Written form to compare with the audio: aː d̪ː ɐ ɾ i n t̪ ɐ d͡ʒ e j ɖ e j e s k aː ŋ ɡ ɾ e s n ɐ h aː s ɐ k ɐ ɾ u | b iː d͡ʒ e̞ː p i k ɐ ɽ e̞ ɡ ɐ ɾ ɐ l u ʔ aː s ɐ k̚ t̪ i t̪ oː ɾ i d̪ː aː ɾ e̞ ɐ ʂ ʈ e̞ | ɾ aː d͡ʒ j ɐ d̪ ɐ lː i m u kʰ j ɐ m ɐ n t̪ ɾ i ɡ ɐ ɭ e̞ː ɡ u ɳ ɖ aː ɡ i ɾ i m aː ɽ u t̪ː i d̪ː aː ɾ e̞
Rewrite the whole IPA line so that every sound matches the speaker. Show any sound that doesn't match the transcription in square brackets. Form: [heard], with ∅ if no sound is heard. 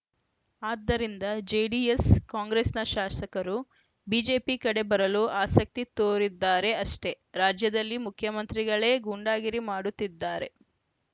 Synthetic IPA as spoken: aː d̪ː ɐ ɾ i n [d̪] ɐ d͡ʒ e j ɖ [i] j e s k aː ŋ ɡ ɾ e s n ɐ [ʃ] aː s ɐ k ɐ ɾ u | b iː d͡ʒ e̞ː p i k ɐ ɽ e̞ [b] ɐ ɾ ɐ l u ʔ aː s ɐ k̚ t̪ i t̪ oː ɾ i d̪ː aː ɾ e̞ ɐ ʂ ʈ e̞ | ɾ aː d͡ʒ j ɐ d̪ ɐ lː i m u kʰ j ɐ m ɐ n t̪ ɾ i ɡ ɐ ɭ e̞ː ɡ u ɳ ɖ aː ɡ i ɾ i m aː ɽ u t̪ː i d̪ː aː ɾ e̞